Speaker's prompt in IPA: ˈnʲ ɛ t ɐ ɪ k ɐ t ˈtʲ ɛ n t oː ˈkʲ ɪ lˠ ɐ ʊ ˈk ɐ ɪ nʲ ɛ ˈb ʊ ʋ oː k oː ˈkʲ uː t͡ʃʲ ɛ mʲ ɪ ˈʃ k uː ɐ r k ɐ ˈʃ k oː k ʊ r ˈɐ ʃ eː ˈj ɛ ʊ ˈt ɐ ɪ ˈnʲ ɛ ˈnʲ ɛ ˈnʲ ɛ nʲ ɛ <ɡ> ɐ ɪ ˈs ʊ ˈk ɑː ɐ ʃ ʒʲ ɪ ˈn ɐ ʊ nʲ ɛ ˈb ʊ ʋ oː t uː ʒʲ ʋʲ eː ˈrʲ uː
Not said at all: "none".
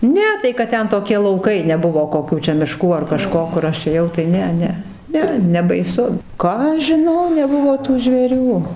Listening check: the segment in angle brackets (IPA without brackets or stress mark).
b